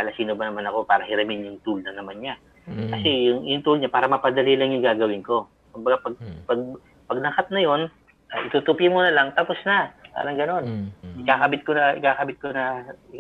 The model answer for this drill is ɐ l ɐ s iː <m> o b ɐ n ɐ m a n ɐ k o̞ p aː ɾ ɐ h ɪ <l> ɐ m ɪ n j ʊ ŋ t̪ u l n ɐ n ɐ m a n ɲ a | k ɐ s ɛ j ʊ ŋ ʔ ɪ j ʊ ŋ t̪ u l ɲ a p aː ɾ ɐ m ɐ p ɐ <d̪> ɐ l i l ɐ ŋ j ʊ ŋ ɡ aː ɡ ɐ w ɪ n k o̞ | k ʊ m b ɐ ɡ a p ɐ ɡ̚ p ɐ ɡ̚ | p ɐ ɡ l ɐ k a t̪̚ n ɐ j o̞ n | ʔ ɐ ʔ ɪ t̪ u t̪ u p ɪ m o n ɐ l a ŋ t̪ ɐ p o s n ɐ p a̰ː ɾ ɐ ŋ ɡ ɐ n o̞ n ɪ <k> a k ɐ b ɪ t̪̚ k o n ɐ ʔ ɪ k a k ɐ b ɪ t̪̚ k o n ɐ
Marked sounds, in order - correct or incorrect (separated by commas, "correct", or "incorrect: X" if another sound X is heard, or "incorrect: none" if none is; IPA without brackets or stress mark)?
incorrect: n, incorrect: ɾ, correct, correct